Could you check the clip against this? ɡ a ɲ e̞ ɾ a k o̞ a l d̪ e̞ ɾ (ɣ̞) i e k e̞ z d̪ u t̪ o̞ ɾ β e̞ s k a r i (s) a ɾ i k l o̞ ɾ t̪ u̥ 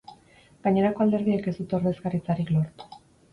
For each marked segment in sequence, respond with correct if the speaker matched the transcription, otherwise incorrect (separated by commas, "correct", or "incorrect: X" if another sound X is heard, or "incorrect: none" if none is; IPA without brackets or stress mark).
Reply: incorrect: ð̞, incorrect: t͡s